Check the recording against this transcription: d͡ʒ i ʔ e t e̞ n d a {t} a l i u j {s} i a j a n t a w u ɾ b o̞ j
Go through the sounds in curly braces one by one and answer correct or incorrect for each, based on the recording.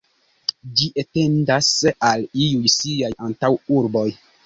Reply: incorrect: s, correct

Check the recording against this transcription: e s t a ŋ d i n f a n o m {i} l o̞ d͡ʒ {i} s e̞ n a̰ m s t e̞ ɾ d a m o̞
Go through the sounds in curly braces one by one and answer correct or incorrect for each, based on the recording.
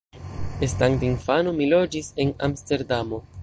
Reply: correct, correct

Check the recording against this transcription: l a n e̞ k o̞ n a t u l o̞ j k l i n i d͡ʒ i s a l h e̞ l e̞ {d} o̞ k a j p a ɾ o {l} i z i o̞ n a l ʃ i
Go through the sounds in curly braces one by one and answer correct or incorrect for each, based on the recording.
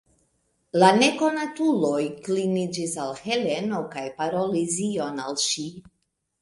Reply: incorrect: n, correct

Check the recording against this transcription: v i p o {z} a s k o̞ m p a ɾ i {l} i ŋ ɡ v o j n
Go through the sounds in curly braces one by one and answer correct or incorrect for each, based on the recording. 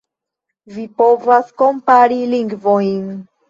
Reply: incorrect: v, correct

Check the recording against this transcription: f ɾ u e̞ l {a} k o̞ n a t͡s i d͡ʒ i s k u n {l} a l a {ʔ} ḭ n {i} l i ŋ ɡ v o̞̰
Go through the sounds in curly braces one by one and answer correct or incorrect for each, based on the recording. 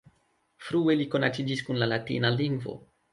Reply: incorrect: i, correct, incorrect: t, incorrect: a

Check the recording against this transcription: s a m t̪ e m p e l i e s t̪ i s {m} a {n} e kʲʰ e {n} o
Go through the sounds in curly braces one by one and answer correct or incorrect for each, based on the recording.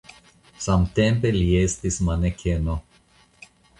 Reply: correct, correct, correct

